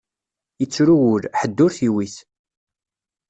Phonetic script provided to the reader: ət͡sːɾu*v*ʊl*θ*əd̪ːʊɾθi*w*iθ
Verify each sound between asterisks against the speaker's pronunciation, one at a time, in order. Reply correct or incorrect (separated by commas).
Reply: incorrect, incorrect, correct